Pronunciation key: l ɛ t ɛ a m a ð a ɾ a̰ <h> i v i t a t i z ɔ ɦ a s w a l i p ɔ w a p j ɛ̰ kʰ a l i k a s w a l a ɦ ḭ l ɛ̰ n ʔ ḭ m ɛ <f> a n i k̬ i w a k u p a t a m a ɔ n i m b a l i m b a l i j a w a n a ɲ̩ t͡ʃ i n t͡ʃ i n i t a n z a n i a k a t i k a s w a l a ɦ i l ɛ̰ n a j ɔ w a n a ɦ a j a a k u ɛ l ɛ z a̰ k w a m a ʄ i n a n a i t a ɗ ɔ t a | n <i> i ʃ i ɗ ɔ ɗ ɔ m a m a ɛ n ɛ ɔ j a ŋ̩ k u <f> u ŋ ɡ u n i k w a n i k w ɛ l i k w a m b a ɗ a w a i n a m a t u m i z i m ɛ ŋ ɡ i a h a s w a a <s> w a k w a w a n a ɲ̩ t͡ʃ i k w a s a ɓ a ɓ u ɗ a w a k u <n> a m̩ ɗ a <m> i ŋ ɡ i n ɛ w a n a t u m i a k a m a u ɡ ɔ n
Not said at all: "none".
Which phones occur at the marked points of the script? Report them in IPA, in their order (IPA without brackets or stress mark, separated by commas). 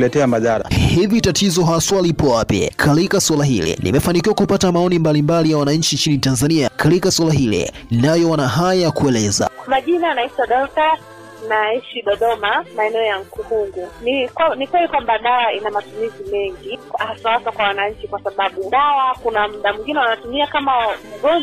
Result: h, f, a, h, s, n, m